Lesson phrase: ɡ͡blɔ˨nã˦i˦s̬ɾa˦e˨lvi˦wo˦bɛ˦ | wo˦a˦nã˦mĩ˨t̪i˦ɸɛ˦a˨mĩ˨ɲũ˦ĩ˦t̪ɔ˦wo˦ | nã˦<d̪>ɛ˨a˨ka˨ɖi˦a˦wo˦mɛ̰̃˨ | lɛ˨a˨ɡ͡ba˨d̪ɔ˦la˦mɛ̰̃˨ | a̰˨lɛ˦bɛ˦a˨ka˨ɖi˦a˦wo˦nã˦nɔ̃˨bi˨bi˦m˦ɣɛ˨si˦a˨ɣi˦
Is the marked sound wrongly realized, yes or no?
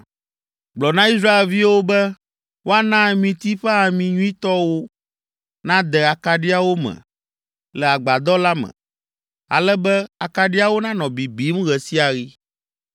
no